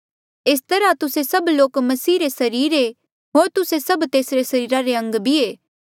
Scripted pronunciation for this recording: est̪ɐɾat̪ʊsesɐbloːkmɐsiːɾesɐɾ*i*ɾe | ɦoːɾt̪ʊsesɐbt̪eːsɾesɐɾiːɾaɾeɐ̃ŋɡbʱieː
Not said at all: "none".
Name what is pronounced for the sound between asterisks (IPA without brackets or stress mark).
iː